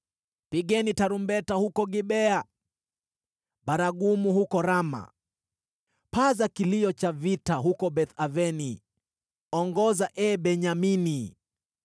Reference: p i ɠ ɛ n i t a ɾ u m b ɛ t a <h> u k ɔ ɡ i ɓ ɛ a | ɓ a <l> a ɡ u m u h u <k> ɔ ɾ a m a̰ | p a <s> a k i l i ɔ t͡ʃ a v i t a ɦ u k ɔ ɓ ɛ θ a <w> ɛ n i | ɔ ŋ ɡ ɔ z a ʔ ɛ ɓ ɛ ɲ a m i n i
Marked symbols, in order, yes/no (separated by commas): yes, no, yes, no, no